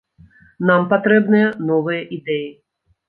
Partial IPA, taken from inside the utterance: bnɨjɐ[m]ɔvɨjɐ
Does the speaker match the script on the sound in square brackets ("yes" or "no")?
no